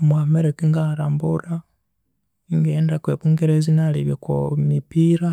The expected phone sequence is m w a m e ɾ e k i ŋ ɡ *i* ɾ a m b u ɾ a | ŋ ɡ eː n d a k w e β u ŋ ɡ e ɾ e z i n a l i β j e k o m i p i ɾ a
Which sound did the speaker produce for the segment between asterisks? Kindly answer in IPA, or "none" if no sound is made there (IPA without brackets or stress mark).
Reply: a